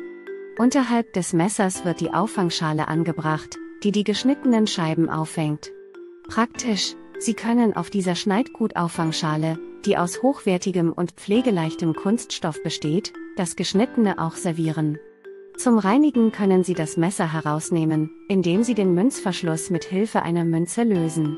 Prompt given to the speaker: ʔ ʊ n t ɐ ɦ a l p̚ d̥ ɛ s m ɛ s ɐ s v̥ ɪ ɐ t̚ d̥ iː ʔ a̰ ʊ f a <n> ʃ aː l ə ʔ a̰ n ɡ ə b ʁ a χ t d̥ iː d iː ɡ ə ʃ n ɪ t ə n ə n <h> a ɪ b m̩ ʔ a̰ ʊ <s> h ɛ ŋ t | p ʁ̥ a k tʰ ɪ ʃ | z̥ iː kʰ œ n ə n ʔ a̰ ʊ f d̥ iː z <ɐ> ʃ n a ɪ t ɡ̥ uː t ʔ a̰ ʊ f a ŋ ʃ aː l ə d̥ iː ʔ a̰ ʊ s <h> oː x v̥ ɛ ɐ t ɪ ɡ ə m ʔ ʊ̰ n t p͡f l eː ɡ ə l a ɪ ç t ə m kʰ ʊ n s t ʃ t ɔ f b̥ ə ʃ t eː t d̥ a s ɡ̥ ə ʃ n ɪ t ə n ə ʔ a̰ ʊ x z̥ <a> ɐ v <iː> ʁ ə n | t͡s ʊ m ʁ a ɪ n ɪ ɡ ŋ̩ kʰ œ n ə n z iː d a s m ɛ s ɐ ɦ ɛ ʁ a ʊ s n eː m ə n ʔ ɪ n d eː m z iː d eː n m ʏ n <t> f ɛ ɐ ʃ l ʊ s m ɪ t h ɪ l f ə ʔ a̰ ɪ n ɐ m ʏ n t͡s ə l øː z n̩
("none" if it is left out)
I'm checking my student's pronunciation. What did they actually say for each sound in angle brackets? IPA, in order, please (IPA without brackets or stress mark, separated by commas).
ŋ, ʃ, f, ɐ, h, ɛ, iː, t͡s